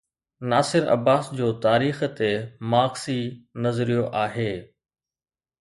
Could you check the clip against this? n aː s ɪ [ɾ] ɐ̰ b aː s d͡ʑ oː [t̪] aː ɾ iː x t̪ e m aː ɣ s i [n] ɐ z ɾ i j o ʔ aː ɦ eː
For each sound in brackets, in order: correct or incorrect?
correct, correct, correct

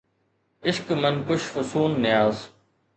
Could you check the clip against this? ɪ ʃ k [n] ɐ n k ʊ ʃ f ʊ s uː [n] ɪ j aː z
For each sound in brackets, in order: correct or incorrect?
incorrect: m, incorrect: nː

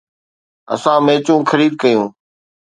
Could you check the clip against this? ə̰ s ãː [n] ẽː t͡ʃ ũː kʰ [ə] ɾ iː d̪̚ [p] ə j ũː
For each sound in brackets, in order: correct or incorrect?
incorrect: m, correct, incorrect: k

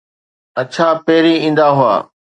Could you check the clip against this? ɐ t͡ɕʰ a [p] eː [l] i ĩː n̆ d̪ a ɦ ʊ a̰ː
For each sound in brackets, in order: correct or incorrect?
correct, incorrect: ɾ

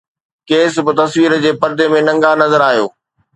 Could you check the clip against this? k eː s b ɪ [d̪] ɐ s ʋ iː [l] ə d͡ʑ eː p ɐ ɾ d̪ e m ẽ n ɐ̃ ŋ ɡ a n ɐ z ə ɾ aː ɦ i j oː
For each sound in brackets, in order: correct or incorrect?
incorrect: t̪, incorrect: ɾ

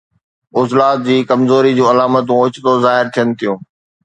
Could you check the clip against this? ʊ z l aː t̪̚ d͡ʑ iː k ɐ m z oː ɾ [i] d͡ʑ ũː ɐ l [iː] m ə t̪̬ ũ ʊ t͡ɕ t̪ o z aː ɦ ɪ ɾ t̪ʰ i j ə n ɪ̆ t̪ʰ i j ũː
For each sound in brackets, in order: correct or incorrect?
correct, incorrect: aː

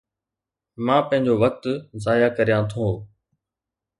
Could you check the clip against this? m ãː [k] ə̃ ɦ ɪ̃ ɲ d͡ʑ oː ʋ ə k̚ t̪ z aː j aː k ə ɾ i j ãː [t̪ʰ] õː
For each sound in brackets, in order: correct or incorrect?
incorrect: p, correct

